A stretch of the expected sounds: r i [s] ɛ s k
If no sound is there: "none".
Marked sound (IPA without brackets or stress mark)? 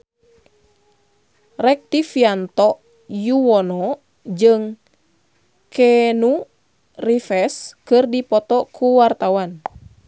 f